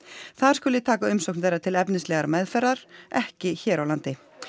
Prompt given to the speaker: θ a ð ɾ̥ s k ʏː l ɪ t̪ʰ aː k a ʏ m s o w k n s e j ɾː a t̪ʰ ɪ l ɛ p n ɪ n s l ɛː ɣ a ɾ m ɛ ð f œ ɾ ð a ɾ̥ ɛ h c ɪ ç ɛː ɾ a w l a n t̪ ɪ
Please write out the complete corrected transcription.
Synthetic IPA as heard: θ a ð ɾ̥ s k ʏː l ɪ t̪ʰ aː k a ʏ m s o w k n θ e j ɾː a t̪ʰ ɪ l ɛ p n ɪ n s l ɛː ɣ a ɾ m ɛ ð f ɛ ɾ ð a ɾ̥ ɛ h c ɪ ç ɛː ɾ a w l a n t̪ ɪ